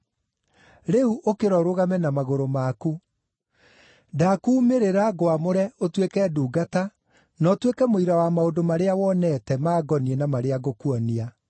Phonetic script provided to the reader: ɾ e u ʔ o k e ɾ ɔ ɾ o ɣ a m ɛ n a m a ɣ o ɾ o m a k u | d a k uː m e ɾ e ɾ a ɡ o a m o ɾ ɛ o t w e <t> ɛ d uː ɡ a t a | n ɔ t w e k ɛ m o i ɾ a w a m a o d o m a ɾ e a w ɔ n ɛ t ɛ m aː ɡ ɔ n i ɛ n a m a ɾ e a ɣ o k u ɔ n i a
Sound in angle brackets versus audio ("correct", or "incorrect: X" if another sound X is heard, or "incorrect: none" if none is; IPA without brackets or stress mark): incorrect: k